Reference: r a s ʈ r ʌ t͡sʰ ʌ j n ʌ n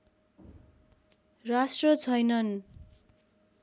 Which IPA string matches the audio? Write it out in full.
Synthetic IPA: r a s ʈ r ʌ t͡sʰ ʌ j n ʌ n